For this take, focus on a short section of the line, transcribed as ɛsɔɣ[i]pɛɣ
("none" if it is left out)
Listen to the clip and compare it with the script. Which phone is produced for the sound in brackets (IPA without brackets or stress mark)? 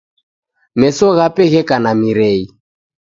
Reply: a